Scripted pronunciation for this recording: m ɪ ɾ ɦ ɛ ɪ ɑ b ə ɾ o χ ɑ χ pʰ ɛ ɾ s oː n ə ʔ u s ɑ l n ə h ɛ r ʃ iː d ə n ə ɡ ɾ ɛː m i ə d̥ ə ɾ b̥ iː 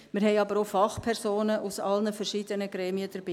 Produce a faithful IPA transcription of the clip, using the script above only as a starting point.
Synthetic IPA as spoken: m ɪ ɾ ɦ ɛ ɪ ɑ b ə ɾ o f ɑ χ pʰ ɛ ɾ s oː n ə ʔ u s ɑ l n ə f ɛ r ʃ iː d ə n ə ɡ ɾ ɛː m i ə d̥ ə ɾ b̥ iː